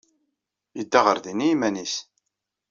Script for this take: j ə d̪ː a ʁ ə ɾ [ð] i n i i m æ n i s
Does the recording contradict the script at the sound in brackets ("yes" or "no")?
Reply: no